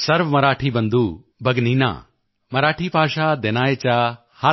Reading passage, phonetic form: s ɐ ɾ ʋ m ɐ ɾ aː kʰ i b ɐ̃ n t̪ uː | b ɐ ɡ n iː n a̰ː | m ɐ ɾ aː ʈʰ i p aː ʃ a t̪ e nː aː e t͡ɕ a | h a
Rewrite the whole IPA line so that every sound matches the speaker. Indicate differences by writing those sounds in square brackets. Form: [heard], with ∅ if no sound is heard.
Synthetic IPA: s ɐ ɾ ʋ m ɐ ɾ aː [ʈʰ] i b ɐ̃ n [d̪] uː | b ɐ ɡ n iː n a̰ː | m ɐ ɾ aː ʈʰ i p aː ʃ a [d̪] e [n] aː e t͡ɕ a | h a